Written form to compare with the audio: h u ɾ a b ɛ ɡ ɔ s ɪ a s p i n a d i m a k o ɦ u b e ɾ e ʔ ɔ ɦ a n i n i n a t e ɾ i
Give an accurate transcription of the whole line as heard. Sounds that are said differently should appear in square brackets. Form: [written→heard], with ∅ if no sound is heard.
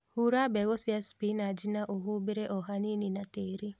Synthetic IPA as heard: h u ɾ a b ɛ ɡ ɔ s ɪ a s p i n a [d→d͡ʒ] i [m→n] a [k→ʔ] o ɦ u b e ɾ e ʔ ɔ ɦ a n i n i n a t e ɾ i